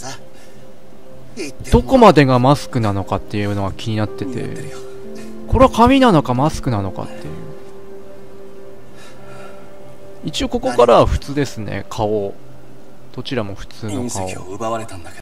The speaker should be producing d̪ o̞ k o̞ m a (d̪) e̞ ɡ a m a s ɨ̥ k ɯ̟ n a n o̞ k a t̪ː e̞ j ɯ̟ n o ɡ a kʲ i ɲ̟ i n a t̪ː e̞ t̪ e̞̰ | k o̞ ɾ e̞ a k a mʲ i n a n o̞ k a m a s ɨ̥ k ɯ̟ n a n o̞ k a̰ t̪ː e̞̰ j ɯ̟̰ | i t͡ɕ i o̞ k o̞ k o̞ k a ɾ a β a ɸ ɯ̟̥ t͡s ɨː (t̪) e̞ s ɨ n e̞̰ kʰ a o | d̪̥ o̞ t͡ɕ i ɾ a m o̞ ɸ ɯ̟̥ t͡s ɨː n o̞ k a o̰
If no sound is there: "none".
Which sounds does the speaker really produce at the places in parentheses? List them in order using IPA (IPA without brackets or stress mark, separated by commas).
d̪, d̪